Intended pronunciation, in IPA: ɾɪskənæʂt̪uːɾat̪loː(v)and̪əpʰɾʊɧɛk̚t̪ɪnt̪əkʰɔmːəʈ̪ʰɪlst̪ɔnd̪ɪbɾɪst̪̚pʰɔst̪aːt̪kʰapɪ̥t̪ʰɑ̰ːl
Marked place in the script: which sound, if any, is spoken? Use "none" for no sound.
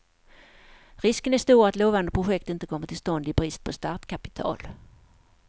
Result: v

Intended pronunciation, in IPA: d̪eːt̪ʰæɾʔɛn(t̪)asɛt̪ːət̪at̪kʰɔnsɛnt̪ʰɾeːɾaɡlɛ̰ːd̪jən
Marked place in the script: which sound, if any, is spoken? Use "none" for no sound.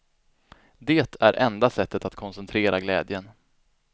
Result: d̪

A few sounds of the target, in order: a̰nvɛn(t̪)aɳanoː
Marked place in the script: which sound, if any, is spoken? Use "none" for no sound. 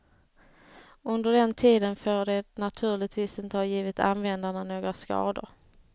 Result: d̪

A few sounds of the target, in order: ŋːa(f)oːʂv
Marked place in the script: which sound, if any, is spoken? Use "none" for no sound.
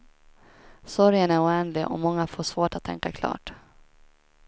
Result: f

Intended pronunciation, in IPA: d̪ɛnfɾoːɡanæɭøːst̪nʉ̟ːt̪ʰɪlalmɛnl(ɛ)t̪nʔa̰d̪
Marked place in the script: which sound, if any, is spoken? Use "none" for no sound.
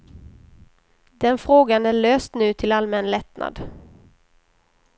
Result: ɛ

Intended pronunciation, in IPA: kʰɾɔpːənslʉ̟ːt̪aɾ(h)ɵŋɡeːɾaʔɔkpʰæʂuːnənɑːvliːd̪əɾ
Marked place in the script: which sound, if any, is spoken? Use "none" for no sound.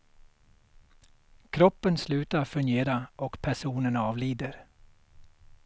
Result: f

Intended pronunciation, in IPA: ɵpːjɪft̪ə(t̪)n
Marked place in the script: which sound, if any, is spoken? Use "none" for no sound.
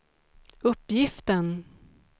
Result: none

